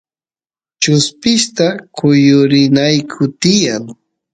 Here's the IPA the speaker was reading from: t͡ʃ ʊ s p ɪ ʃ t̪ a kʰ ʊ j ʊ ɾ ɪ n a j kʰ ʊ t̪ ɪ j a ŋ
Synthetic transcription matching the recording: t͡ʃ ʊ s p ɪ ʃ t̪ a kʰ ʊ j ʊ ɾ ɪ n a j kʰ ʊ t̪ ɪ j a ŋ